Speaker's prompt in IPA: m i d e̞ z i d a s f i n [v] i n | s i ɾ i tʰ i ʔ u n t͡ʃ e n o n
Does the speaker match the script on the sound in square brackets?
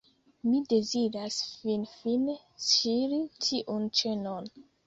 no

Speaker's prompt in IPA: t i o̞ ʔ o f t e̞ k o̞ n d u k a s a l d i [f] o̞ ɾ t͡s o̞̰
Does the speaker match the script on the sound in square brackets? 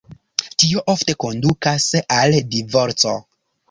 no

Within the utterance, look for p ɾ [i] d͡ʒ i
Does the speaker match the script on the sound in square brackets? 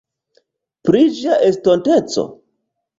yes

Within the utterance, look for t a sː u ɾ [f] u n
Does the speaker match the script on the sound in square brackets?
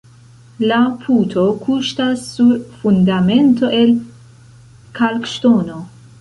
yes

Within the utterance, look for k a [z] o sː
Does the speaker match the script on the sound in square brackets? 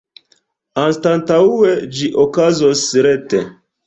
yes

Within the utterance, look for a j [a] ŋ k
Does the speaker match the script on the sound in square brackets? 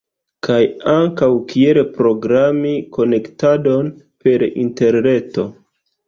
yes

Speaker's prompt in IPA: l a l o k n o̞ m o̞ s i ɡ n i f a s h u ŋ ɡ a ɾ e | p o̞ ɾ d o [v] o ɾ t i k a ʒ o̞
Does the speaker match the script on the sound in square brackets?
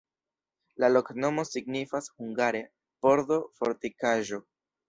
no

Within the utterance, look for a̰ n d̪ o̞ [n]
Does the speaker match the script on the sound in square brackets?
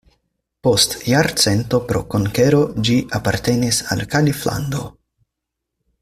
no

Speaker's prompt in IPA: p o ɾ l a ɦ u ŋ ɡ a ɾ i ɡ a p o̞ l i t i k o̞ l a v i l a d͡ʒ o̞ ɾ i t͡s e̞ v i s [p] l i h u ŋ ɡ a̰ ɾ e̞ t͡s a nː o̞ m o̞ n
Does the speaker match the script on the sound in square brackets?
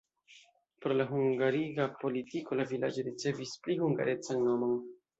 yes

